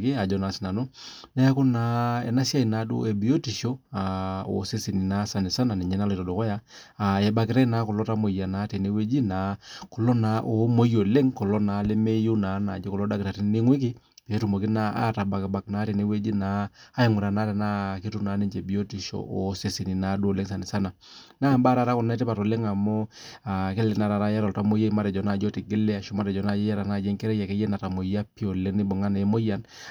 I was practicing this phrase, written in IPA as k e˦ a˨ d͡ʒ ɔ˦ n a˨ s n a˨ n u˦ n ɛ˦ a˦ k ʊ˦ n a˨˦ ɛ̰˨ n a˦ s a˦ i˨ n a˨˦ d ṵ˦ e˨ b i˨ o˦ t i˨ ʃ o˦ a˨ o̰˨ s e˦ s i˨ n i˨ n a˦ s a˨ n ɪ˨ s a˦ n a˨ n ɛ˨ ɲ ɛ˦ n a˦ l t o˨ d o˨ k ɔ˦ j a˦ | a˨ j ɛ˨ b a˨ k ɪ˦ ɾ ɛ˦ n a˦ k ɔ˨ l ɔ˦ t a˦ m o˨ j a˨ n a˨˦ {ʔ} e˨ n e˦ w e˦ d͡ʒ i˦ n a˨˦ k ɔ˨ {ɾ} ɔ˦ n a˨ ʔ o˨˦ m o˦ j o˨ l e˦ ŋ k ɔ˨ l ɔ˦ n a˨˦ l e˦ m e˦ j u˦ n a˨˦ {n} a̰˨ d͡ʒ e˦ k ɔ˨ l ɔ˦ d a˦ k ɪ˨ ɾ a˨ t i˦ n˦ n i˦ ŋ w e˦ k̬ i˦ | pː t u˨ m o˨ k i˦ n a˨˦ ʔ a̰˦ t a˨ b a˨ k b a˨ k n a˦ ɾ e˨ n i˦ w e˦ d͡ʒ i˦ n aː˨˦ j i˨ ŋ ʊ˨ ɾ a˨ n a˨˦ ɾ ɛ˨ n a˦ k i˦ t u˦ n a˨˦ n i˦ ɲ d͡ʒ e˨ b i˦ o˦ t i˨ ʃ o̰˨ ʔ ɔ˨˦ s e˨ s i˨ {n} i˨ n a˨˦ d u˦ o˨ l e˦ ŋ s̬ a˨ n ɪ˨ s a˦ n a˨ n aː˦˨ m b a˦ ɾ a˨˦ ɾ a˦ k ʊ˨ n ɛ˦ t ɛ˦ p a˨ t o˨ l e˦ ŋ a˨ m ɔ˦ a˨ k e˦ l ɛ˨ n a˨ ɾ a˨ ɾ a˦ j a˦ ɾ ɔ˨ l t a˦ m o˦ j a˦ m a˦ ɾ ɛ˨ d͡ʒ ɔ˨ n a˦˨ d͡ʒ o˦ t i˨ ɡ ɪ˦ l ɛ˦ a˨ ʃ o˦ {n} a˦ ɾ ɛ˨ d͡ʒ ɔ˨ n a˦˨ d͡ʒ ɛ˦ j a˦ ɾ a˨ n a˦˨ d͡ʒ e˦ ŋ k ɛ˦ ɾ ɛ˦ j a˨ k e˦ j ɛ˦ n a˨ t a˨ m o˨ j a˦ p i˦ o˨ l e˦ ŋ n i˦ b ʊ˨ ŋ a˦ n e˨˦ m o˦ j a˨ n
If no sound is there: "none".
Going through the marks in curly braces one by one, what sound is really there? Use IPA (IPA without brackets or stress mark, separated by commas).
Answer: t, l, n, n, m